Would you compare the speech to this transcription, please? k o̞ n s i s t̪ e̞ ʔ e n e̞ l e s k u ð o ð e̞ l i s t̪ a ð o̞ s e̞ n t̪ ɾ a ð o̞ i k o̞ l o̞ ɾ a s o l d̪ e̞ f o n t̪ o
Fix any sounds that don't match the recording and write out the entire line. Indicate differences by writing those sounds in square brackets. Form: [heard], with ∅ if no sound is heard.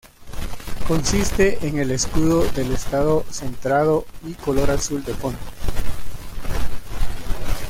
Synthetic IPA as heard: k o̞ n s i s t̪ e̞ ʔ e [ŋ] e̞ l e s k u ð o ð e̞ l [e] s t̪ a ð o̞ s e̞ n t̪ ɾ a ð o̞ i k o̞ l o̞ ɾ a s [u] l d̪ e̞ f o n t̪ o